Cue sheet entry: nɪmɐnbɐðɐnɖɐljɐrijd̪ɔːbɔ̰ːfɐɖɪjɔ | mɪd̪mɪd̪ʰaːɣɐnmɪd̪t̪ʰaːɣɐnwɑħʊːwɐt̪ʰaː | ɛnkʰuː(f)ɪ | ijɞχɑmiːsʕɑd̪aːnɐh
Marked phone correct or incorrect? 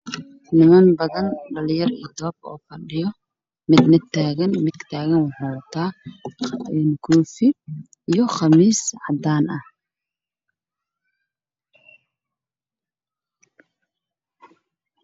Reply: correct